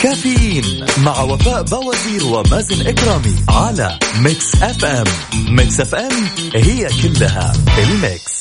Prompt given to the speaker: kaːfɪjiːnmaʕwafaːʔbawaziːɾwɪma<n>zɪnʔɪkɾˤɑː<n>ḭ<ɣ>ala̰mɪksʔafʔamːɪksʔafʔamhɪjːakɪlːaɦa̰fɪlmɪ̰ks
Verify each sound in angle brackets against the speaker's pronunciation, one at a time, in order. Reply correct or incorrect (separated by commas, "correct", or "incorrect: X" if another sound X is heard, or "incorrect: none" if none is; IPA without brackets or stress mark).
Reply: incorrect: none, incorrect: m, incorrect: ʕ